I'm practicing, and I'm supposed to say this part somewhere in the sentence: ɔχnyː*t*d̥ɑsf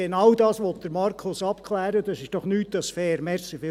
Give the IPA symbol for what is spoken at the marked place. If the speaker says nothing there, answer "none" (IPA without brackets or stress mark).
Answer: t